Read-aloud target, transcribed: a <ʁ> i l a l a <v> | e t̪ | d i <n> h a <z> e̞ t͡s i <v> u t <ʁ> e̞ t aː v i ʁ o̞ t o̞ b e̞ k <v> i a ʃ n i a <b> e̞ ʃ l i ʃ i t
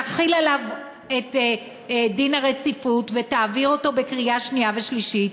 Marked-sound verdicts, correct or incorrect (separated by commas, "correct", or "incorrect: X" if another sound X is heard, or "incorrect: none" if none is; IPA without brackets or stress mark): incorrect: χ, correct, correct, incorrect: ʁ, incorrect: f, incorrect: v, incorrect: ʁ, incorrect: v